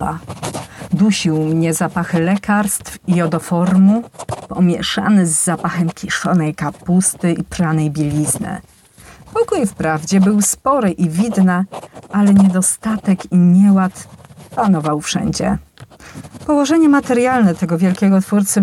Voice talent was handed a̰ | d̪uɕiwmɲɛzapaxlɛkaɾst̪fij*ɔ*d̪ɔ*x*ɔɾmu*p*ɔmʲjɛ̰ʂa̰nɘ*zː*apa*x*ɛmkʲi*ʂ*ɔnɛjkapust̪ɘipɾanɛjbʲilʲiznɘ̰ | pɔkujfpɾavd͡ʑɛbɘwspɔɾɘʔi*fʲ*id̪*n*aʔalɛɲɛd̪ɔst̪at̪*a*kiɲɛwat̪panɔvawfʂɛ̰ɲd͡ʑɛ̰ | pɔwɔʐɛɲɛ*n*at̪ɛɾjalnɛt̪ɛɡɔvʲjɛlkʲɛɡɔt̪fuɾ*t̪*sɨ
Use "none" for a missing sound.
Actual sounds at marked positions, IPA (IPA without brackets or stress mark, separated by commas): ɔ, f, p, zː, x, ʂ, vʲ, n, ɛ, m, t̪